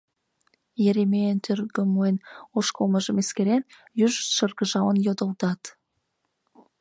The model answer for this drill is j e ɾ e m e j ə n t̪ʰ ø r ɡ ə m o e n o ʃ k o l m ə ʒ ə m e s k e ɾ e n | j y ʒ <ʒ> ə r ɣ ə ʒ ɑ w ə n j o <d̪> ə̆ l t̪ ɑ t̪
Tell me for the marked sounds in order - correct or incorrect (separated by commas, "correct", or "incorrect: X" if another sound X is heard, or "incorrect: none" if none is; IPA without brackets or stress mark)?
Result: incorrect: ʃ, correct